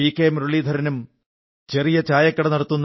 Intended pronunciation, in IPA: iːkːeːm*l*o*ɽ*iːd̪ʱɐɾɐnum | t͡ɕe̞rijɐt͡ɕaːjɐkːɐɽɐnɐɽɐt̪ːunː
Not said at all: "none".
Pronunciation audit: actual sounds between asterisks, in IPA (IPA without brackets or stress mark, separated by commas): ɾ, ɭ